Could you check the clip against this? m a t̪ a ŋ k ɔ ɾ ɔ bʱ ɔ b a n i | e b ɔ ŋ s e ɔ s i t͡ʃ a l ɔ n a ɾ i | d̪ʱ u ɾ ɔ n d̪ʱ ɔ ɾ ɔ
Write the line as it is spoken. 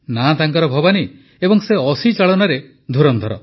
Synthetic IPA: n a t̪ a ŋ k ɔ ɾ ɔ bʱ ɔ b a n i | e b ɔ ŋ s e ɔ s i t͡ʃ a ɭ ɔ n a ɾ e | d̪ʱ u ɾ ɔ n d̪ʱ ɔ ɾ ɔ